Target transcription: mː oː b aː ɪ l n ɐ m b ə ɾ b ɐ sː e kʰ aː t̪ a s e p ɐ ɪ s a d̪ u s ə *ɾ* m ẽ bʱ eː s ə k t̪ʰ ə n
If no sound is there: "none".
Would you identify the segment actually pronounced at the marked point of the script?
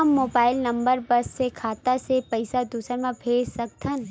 ɾ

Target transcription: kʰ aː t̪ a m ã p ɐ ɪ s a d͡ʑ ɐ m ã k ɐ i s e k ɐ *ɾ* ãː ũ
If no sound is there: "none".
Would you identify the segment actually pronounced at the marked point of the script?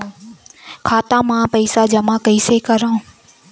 ɾ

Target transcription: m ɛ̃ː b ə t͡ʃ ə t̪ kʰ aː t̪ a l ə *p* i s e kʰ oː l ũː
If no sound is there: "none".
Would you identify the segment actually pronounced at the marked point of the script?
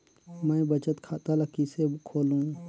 k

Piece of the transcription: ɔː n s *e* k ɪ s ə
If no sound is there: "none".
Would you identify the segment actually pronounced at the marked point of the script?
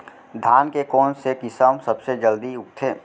e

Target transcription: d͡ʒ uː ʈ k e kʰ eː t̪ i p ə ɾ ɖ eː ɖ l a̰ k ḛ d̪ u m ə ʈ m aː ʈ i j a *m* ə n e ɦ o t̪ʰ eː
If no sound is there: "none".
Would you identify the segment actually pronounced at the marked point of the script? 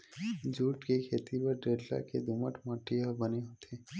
b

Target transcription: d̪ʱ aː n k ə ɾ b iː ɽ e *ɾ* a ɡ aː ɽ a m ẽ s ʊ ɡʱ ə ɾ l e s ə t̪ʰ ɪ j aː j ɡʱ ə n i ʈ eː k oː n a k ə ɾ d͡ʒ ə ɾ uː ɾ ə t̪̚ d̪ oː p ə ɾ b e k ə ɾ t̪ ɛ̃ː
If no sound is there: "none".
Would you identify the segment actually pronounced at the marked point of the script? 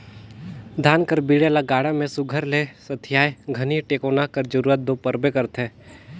l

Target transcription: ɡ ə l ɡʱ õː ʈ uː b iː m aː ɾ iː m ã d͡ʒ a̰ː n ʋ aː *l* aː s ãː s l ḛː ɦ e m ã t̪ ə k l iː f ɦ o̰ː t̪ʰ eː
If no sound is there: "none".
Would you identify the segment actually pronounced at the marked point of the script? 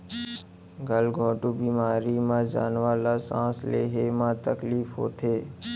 l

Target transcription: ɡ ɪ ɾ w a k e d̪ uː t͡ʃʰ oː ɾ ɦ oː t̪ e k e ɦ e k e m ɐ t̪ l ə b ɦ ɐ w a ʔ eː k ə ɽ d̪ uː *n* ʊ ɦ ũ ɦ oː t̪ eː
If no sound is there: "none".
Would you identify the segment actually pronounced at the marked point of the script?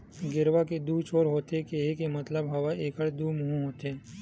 m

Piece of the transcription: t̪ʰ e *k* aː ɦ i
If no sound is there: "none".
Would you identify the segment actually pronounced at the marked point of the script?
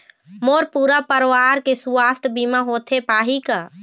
p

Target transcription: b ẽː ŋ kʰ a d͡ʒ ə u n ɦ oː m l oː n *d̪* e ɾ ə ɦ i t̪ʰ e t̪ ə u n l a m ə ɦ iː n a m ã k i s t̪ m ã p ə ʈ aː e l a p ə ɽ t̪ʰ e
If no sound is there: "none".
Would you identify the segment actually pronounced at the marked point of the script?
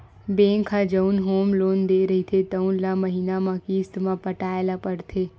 d̪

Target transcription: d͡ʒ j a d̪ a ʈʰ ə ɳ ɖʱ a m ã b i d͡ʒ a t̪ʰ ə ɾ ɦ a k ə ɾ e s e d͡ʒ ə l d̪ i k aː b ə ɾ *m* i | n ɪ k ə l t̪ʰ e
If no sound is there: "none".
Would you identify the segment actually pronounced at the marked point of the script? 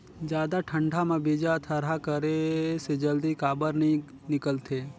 n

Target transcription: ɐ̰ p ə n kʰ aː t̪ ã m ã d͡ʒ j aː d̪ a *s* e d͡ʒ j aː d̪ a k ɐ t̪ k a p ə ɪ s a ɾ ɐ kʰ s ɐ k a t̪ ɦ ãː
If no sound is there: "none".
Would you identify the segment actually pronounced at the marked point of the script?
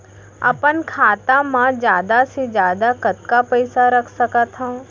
s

